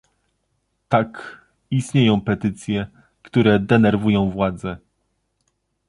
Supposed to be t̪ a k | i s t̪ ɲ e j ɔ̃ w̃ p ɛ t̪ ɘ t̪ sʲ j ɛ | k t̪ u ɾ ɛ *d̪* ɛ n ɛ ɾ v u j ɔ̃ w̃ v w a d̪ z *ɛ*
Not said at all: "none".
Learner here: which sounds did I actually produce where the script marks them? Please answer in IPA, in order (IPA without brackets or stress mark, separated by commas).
d̪, ɛ